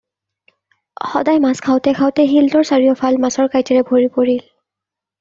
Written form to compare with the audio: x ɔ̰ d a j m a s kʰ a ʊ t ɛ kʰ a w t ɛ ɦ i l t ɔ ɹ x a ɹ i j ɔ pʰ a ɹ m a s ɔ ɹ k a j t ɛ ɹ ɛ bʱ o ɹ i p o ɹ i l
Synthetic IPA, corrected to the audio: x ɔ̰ d a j m a s kʰ a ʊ t ɛ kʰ a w t ɛ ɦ i l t ɔ ɹ s a ɹ i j ɔ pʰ a l m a s ɔ ɹ k a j t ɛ ɹ ɛ bʱ o ɹ i p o ɹ i l